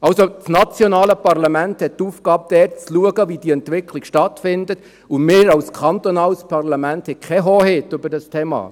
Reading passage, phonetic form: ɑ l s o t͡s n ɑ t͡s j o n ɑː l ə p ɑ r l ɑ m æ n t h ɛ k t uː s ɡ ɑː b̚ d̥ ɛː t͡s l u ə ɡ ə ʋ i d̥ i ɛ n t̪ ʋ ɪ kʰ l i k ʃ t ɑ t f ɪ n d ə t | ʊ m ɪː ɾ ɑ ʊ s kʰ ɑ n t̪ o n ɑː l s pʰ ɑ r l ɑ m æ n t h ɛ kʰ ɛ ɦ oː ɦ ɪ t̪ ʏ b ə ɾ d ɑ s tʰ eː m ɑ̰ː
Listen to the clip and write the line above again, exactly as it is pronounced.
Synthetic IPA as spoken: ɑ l s o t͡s n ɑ t͡s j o n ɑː l ə p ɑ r l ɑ m æ n t h ɛ t t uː f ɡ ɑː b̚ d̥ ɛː t͡s l u ə ɡ ə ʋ i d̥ i ɛ n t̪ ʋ ɪ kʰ l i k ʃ t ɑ t f ɪ n d ə t | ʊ m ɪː ɾ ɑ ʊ s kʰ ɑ n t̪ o n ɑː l s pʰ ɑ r l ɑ m æ n t h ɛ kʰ ɛ ɦ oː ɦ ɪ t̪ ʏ b ə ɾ d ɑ s tʰ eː m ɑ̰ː